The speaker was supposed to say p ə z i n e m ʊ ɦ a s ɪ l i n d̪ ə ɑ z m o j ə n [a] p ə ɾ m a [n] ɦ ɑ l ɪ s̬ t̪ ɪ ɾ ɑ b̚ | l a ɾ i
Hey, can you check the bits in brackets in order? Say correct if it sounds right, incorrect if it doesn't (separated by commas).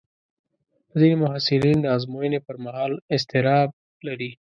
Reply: incorrect, incorrect